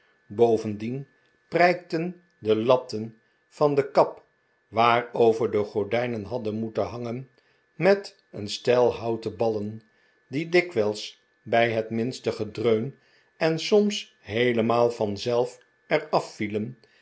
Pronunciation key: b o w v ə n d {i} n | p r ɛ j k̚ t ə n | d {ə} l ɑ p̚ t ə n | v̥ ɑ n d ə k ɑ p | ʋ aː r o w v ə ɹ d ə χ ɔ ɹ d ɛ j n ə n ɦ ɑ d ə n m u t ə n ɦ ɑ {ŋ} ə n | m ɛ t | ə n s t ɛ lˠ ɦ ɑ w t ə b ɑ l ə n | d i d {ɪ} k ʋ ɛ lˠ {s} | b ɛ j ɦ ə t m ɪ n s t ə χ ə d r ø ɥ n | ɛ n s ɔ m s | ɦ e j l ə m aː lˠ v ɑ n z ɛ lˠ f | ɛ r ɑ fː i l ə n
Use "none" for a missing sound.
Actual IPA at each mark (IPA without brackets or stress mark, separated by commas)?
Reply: i, ə, ŋ, ɪ, s